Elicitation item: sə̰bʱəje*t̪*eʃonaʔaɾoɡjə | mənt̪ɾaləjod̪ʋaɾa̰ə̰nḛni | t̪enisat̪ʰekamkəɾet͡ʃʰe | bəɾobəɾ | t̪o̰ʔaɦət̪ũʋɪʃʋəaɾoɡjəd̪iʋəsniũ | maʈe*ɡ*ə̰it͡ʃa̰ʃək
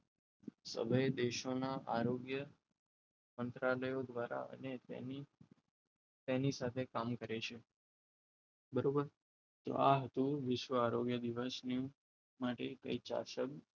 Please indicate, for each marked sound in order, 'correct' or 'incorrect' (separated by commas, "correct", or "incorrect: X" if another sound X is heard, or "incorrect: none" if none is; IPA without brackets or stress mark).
incorrect: d̪, incorrect: k